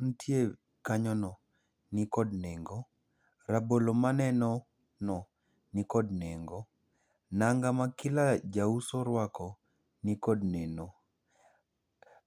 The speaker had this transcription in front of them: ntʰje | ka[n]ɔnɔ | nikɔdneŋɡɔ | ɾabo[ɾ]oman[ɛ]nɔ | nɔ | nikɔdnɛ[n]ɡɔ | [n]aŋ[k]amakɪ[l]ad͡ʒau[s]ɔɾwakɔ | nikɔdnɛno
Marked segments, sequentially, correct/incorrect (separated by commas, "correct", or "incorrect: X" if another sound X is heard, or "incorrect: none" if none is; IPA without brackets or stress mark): incorrect: ɲ, incorrect: l, correct, incorrect: ŋ, correct, incorrect: ɡ, correct, correct